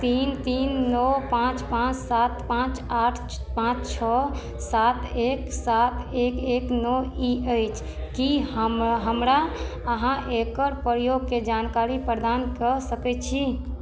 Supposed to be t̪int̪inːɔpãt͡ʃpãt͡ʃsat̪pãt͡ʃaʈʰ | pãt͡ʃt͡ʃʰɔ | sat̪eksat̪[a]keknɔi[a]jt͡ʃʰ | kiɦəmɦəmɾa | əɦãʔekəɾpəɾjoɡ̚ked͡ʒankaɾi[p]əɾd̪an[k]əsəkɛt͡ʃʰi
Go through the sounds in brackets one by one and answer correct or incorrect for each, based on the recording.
incorrect: e, incorrect: ə, correct, correct

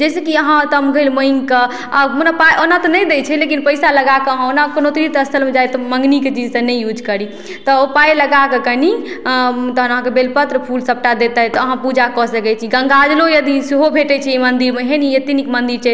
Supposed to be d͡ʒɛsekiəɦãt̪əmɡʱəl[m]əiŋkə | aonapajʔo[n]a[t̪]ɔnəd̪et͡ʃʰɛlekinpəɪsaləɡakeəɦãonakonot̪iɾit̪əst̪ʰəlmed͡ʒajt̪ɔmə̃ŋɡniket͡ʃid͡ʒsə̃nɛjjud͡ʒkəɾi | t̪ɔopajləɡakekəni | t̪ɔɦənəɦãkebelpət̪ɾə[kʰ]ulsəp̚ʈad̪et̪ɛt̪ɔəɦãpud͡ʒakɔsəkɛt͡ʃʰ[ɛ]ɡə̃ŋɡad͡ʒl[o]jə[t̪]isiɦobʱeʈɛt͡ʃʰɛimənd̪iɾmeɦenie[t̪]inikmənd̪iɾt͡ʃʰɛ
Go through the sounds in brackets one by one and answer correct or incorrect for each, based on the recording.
correct, correct, correct, incorrect: pʰ, incorrect: i, correct, incorrect: d̪, correct

